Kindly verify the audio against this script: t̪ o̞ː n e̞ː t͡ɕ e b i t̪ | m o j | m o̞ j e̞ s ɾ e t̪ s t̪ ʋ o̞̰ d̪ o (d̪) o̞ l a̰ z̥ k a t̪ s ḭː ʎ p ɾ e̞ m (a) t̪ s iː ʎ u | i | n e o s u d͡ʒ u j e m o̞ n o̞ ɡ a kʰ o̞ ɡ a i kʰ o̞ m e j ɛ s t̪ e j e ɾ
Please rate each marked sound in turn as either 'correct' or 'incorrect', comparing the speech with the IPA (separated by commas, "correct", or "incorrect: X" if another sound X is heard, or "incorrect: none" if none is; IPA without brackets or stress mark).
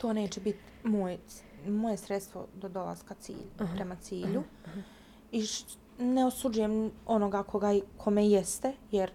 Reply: correct, correct